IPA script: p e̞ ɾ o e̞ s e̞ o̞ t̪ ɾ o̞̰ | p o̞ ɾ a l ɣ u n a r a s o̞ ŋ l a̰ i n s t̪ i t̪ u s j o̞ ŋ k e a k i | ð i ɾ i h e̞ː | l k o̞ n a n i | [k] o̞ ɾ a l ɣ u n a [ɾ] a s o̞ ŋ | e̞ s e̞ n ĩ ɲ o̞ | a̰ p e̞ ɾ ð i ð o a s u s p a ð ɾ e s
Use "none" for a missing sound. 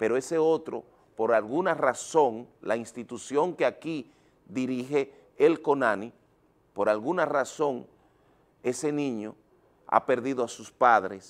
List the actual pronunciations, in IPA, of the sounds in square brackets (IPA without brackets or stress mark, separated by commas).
p, r